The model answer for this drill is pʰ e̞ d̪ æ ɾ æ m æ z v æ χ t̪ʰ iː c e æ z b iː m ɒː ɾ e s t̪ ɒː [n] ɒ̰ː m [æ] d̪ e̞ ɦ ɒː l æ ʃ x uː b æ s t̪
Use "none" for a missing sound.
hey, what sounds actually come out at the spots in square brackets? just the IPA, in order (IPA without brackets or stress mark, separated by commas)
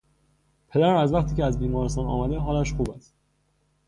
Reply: n, æ